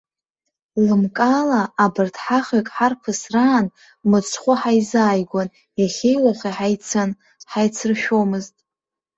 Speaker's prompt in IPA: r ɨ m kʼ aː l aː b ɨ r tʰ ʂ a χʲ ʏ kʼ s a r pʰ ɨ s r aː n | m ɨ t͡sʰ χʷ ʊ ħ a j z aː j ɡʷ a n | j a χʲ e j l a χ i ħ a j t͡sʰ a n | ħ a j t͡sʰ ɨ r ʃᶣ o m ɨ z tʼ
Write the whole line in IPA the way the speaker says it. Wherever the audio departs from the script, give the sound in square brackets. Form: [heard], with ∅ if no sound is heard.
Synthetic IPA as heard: [l] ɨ m kʼ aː l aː b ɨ r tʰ [ħ] a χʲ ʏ kʼ [ħ] a r pʰ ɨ s r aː n | m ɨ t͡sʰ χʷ ʊ ħ a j z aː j ɡʷ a n | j a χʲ e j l a χ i ħ a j t͡sʰ a n | ħ a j t͡sʰ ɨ r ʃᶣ o m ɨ z tʼ